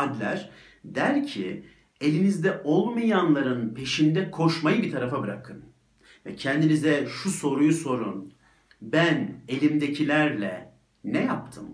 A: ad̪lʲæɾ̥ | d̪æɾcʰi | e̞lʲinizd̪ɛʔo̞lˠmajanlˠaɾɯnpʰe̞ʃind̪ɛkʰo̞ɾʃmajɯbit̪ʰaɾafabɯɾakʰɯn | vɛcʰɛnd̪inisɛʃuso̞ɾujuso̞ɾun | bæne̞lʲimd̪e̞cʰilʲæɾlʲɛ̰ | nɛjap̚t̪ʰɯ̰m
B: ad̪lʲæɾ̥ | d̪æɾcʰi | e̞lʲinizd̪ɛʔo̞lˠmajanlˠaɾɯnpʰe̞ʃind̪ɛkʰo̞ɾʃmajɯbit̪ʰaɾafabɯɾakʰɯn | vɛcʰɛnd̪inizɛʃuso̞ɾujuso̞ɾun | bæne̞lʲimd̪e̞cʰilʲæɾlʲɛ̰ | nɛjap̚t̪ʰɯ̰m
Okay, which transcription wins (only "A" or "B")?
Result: B